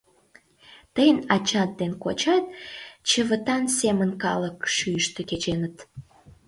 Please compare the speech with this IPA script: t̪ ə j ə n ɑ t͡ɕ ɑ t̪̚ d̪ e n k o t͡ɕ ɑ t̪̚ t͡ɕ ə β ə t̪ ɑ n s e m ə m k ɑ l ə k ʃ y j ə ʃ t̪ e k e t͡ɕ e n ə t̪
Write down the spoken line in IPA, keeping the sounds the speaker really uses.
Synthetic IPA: t̪ ə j ə n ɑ t͡ɕ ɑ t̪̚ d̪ e n k o t͡ɕ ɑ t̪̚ t͡ɕ ə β ə t̪ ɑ n s e m ə n k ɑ l ə k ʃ y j ə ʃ t̪ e k e t͡ɕ e n ə t̪